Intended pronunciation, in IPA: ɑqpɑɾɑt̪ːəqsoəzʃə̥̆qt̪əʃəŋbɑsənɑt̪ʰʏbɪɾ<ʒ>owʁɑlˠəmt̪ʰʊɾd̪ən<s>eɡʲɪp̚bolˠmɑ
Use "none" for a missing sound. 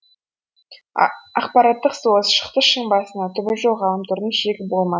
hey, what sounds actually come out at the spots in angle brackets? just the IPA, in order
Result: ʒ, ʃ

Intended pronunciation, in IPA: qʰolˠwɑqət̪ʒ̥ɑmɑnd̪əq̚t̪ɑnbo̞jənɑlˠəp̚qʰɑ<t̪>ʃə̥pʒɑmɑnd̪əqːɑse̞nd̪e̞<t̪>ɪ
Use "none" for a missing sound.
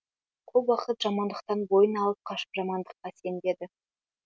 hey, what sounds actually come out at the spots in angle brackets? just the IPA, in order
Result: none, d̪

